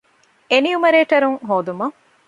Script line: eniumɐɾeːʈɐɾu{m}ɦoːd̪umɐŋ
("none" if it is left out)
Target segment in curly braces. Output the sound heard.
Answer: ŋ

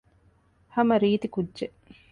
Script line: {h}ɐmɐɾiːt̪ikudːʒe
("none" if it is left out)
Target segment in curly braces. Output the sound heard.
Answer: h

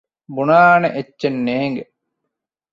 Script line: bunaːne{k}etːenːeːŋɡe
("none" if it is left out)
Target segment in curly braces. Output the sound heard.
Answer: ʔ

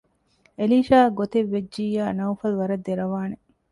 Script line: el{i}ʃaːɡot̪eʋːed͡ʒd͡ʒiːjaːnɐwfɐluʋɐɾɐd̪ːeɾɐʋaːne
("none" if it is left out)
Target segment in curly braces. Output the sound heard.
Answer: iː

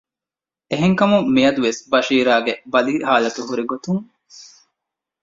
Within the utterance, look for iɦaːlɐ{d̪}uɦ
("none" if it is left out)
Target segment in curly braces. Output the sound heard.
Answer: t̪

